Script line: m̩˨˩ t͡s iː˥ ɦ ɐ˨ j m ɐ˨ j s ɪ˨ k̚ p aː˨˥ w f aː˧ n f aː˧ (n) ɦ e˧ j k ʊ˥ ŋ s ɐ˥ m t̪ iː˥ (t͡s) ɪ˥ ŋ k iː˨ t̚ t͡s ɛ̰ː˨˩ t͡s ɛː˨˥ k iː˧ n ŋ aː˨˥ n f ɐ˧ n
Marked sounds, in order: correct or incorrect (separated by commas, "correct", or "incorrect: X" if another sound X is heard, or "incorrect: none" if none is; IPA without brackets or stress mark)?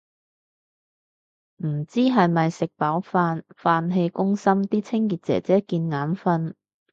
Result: correct, incorrect: t͡sʰ